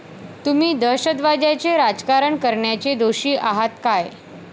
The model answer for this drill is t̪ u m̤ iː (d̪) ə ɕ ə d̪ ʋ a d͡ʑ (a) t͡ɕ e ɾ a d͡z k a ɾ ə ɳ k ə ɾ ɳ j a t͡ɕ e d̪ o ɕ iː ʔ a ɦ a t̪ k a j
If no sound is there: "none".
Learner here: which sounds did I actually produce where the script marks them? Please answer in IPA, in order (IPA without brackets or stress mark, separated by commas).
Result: d̪, a